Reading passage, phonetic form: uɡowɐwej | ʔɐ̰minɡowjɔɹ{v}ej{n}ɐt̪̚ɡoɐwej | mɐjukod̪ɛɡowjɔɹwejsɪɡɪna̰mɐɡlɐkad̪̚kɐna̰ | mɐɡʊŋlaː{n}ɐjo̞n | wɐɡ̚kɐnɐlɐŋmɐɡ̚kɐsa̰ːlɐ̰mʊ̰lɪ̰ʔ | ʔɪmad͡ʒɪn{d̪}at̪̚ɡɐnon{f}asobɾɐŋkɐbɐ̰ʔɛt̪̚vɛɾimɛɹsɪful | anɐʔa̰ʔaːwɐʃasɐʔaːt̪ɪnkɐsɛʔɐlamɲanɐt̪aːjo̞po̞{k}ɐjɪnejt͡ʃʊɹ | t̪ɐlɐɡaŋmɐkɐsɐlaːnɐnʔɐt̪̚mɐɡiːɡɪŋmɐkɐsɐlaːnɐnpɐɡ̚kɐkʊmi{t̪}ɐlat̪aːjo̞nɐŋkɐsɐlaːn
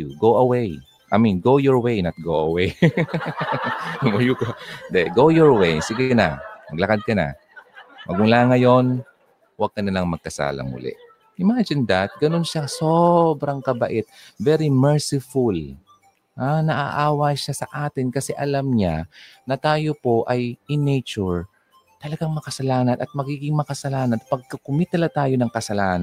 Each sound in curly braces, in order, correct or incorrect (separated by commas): incorrect, correct, incorrect, correct, incorrect, incorrect, correct